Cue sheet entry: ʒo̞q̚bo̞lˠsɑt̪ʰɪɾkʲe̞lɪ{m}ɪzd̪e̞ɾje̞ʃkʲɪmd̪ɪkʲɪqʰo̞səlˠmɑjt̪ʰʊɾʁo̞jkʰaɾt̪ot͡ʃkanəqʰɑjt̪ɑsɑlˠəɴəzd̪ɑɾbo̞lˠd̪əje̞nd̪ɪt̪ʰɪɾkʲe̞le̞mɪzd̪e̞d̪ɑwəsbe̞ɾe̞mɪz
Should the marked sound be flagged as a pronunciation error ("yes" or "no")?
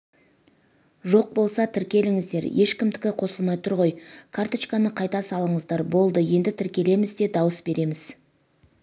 yes